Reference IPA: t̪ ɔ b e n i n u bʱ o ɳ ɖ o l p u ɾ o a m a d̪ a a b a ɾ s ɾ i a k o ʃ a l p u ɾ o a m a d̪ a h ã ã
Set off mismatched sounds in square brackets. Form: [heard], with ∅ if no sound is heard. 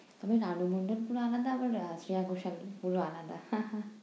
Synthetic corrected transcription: t̪ ɔ b e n [a] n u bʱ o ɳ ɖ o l p u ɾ o a [n] a d̪ a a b a ɾ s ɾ i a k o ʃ a l p u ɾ o a [n] a d̪ a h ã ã